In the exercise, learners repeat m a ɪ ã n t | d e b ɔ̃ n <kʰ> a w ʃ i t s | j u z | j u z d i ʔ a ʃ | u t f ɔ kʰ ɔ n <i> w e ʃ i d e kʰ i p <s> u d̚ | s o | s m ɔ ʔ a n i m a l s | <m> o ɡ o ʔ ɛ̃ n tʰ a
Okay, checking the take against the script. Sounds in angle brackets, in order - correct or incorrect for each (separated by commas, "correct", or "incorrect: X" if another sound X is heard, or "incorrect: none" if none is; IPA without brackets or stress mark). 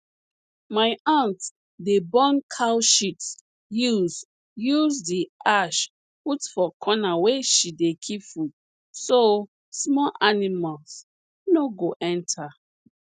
correct, incorrect: a, incorrect: f, incorrect: n